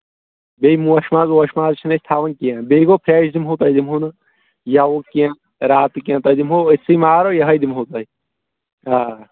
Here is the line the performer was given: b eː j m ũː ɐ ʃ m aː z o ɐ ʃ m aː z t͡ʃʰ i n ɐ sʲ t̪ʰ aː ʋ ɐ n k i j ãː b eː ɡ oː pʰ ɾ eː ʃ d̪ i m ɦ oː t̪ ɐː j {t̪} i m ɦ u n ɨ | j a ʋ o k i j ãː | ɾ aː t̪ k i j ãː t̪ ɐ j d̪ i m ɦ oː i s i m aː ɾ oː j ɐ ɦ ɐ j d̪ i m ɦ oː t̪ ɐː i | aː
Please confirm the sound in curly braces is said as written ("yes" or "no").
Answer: no